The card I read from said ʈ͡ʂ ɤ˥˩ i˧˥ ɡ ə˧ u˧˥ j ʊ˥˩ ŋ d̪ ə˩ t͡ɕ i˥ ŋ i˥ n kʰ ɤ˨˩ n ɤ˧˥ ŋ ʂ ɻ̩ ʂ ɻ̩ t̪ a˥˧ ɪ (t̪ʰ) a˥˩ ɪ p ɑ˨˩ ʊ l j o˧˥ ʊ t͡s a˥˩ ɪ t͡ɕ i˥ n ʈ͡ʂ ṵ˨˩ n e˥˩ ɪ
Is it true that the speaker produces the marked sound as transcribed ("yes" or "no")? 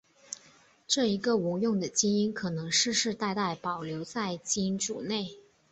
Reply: no